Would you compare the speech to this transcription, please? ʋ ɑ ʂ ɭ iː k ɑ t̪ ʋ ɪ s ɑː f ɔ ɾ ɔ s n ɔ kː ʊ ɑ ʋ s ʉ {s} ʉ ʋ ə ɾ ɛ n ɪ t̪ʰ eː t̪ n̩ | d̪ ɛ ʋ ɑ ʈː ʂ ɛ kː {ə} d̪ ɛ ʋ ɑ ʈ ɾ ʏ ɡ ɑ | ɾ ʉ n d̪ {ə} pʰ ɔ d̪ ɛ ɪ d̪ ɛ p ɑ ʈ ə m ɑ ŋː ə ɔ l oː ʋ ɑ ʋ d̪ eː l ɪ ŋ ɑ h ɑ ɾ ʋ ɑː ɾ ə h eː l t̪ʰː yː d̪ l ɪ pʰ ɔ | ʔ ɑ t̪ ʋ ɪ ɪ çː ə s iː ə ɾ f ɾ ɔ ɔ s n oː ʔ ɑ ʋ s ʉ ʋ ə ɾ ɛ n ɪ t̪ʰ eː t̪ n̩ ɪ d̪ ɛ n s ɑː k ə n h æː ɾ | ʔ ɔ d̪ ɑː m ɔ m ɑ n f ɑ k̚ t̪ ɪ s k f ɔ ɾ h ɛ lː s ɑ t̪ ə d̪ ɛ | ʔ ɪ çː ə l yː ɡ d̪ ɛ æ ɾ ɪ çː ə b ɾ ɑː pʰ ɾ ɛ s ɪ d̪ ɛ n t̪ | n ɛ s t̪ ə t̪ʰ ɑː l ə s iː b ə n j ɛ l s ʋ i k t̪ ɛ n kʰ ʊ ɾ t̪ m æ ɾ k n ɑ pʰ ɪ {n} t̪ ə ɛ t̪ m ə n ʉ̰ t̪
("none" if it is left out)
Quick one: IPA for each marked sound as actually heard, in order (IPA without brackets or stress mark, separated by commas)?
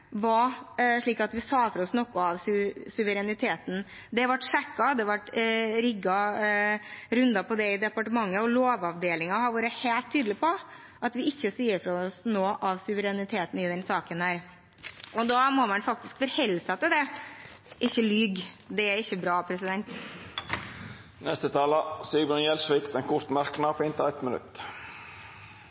s, ɑ, ɑ, n